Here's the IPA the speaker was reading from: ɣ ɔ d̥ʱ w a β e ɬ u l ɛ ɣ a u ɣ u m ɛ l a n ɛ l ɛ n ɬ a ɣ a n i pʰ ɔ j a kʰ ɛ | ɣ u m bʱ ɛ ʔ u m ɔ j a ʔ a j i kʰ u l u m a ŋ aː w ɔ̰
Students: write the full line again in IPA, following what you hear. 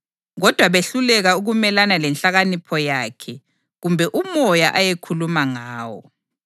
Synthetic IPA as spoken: ɣ ɔ d̥ʱ w a β e ɬ u l ɛ ɣ a u ɣ u m ɛ l a n a l ɛ n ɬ a ɣ a n i pʰ ɔ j a kʰ ɛ | ɣ u m bʱ ɛ ʔ u m ɔ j a ʔ a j e kʰ u l u m a ŋ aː w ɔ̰